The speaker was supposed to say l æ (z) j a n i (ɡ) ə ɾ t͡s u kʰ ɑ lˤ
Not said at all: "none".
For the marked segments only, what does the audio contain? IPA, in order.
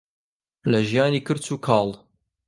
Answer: ʒ, k

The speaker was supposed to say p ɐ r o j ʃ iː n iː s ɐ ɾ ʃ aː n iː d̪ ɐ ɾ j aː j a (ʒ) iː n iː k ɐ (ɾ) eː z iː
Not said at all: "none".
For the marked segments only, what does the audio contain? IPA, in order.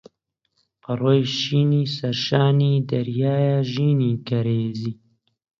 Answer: ʒ, ɾ

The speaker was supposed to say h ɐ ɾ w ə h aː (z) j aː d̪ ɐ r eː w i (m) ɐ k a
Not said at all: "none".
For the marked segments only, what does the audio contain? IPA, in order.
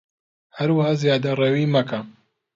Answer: z, m

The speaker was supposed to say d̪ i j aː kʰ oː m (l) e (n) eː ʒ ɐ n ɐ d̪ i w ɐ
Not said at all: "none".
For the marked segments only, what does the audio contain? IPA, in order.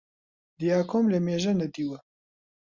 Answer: l, m

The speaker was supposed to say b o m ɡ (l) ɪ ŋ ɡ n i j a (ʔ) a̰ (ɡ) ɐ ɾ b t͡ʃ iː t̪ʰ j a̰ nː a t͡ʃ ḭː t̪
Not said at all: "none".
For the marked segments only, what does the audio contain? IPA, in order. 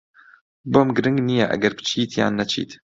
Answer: ɾ, ʔ, ɡ

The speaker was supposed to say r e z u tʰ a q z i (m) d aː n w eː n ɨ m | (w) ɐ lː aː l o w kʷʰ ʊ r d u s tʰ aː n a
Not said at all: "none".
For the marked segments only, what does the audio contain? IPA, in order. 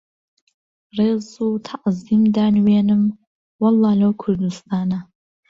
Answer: m, w

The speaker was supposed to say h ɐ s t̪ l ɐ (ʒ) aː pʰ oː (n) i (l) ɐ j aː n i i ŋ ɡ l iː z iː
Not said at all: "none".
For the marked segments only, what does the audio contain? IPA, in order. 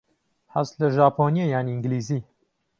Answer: ʒ, n, none

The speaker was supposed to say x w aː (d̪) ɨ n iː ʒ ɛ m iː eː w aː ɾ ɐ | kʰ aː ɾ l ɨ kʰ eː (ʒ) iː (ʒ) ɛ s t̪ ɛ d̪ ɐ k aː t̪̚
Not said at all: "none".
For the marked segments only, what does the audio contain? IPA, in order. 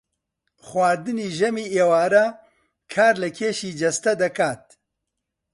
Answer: d̪, ʃ, d͡ʒ

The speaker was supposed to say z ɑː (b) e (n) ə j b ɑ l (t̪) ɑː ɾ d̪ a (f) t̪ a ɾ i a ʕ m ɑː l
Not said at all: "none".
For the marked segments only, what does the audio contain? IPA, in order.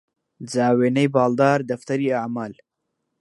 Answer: w, n, d̪, f

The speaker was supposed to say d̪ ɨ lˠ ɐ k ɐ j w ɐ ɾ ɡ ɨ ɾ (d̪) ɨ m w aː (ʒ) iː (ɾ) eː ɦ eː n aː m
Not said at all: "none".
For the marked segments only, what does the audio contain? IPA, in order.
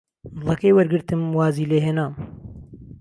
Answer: t̪, z, l

